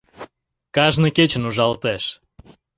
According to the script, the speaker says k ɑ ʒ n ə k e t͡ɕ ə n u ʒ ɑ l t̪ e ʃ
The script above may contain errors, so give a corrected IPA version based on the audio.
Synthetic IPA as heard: k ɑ ʒ n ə k e t͡ɕ ə n u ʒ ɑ l t̪ e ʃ